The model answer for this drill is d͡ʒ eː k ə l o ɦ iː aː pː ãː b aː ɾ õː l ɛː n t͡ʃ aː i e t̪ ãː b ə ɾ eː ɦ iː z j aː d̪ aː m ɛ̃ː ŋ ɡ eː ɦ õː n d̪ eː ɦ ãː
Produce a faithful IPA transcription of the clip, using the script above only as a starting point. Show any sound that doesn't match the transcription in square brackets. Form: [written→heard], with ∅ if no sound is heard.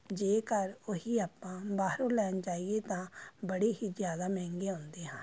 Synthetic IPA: d͡ʒ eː k ə [l→ɾ] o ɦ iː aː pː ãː b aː ɾ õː l ɛː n t͡ʃ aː i e t̪ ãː b ə [ɾ→ɽ] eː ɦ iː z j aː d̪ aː m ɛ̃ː ŋ ɡ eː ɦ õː n d̪ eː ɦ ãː